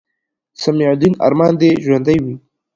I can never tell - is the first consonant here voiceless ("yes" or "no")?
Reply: yes